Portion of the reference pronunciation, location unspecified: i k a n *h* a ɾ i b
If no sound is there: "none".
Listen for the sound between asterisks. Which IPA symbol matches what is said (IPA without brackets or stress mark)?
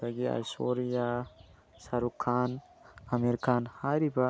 h